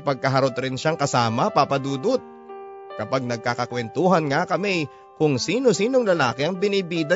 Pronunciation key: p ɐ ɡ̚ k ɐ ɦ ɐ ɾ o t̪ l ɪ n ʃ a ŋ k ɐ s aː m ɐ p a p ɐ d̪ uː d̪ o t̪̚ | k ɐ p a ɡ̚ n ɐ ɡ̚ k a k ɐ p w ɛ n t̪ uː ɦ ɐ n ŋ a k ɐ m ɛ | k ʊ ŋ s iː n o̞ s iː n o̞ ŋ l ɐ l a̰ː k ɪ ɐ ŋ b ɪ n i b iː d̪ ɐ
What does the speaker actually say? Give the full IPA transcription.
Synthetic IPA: p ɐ ɡ̚ k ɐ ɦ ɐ ɾ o t̪ ɾ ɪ n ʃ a ŋ k ɐ s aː m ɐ p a p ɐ d̪ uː d̪ o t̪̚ | k ɐ p a ɡ̚ n ɐ ɡ̚ k a k ɐ k w ɛ n t̪ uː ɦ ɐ n ŋ a k ɐ m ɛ | k ʊ ŋ s iː n o̞ s iː n o̞ ŋ l ɐ l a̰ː k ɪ ɐ ŋ b ɪ n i b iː d̪ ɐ